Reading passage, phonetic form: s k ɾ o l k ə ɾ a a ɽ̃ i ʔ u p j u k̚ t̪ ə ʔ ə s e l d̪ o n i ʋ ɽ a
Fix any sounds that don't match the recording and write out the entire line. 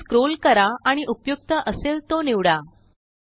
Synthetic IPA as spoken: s k ɾ o l k ə ɾ a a ɽ̃ i ʔ u p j u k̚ t̪ ə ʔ ə s e l t̪ o n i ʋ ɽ a

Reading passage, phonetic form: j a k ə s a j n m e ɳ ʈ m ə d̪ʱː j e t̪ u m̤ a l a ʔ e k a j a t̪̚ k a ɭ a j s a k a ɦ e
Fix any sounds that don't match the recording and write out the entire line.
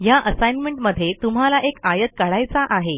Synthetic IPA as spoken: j a ʔ ə s a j n m e ɳ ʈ m ə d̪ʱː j e t̪ u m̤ a l a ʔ e k a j ə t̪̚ k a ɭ a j t͡s a ʔ a ɦ e

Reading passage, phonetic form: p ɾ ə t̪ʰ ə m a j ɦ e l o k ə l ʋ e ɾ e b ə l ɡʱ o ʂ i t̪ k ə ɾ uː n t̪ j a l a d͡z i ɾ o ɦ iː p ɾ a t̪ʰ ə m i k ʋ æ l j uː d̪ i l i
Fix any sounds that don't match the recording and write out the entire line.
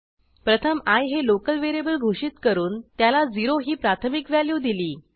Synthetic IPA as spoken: p ɾ ə t̪ʰ ə m a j ɦ e l o k ə l ʋ e ɾ e b ə l ɡʱ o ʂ i t̪ k ə ɾ uː n t̪ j a l a d͡z i ɾ o ɦ iː p ɾ a t̪ʰ ə m i k ʋ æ l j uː d̪ i l iː

